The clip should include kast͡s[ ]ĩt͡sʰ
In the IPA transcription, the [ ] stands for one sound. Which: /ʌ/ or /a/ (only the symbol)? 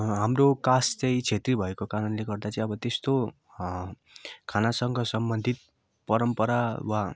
ʌ